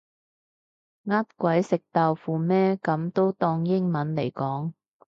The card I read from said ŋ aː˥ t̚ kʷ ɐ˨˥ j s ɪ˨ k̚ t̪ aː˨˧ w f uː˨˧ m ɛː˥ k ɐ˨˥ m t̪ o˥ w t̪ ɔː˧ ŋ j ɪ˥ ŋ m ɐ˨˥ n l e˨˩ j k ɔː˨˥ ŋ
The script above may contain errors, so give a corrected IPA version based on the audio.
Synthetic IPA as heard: ŋ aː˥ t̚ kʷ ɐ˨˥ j s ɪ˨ k̚ t̪ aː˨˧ w f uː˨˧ m ɛː˥ k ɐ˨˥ m t̪ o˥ w t̪ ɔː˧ ŋ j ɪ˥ ŋ m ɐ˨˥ n l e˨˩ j k ɔː˨˥ ŋ

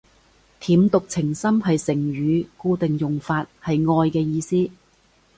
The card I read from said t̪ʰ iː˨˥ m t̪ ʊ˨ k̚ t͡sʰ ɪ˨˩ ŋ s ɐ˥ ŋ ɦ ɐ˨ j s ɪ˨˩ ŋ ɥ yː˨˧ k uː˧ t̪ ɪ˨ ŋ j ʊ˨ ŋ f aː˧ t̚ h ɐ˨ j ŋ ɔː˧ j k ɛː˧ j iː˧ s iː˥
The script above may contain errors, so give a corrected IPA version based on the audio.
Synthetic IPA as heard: t̪ʰ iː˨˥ m t̪ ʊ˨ k̚ t͡sʰ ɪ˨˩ ŋ s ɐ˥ m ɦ ɐ˨ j s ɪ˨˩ ŋ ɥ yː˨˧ k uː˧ t̪ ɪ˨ ŋ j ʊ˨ ŋ f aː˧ t̚ h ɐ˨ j ŋ ɔː˧ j k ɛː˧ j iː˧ s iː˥

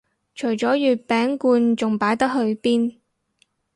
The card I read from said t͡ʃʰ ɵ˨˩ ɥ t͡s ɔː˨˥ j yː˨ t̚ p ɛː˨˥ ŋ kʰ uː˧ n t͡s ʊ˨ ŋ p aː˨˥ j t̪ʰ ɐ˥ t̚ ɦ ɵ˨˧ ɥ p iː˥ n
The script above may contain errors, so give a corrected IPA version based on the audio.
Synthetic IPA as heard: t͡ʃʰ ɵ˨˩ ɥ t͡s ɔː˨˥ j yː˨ t̚ p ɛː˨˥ ŋ k uː˧ n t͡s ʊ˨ ŋ p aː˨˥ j t̪ ɐ˥ k̚ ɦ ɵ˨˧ ɥ p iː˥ n

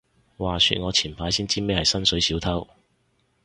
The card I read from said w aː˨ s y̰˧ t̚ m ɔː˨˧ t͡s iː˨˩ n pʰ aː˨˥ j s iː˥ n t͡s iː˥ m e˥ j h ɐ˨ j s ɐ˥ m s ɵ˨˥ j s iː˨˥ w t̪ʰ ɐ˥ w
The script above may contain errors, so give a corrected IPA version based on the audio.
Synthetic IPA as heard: w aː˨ s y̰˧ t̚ ŋ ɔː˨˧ t͡sʰ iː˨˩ n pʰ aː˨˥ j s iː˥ n t͡s iː˥ m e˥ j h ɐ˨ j s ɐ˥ n s ɵ˨˥ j s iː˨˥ w t̪ʰ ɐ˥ w

